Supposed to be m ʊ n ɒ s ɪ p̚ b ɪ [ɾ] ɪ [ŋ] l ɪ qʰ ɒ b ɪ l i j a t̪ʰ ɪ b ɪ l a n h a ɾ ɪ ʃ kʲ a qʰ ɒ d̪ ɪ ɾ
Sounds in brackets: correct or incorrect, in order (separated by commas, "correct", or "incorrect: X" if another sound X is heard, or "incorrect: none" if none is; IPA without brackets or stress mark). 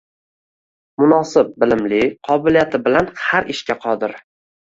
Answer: incorrect: l, incorrect: m